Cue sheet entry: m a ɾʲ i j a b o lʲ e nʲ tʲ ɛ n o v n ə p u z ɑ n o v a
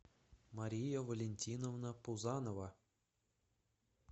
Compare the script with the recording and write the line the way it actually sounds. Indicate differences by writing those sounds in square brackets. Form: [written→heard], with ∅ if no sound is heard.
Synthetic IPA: m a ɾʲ i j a [b→v] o lʲ e nʲ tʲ [ɛ→i] n o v n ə p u z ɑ n o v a